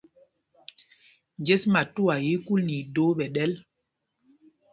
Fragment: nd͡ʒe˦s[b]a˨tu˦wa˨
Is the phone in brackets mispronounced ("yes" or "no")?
yes